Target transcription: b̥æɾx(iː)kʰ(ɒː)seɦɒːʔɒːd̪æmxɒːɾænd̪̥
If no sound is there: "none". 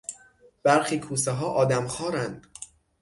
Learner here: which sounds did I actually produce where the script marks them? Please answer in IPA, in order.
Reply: iː, uː

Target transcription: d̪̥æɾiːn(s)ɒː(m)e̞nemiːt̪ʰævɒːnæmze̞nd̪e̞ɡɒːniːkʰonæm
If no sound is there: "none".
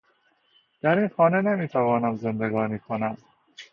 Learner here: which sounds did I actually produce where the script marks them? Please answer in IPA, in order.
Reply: x, n

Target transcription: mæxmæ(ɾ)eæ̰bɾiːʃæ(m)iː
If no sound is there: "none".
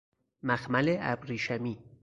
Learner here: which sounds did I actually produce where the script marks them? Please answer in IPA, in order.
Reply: l, m

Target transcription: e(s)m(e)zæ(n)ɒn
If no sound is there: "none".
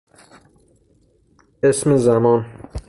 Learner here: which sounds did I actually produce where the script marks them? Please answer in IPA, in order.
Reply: s, e, m

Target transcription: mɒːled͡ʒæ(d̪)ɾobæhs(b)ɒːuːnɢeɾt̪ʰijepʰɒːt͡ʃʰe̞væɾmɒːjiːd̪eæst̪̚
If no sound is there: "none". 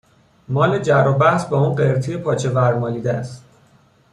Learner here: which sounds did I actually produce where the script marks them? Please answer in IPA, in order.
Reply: none, b

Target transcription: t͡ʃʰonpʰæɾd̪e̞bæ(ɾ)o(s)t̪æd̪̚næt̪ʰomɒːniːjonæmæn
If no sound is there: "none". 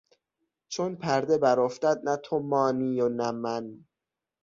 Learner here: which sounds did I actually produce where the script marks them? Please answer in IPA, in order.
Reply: ɾ, f

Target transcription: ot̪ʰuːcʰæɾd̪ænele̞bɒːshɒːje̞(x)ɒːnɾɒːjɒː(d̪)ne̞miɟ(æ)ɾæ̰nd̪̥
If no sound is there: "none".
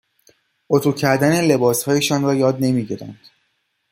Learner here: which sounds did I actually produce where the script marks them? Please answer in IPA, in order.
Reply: ʃ, d̪, i

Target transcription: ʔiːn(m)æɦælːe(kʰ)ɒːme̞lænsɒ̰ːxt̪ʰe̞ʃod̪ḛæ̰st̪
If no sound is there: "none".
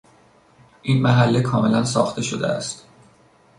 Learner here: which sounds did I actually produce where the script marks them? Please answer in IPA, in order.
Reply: m, kʰ

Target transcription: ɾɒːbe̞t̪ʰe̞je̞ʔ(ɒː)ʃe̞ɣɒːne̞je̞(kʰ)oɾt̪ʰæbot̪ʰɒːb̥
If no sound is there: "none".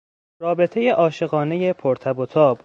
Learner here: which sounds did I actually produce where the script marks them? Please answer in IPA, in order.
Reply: ɒː, pʰ

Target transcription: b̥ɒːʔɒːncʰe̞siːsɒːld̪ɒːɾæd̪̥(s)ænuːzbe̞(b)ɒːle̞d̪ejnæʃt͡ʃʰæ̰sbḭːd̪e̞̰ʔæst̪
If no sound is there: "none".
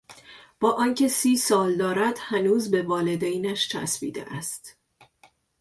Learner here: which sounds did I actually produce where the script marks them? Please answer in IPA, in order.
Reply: h, v

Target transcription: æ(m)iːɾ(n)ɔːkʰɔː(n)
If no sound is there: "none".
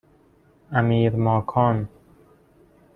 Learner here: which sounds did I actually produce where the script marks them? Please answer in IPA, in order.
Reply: m, m, n

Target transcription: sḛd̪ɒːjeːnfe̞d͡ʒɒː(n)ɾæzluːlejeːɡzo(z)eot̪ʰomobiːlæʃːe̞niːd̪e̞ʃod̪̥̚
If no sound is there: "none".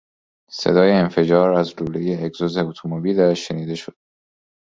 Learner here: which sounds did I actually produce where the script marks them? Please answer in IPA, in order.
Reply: none, z

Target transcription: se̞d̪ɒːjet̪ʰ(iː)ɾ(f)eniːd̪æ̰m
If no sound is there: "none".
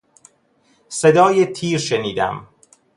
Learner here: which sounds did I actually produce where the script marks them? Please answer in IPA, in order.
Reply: iː, ʃ

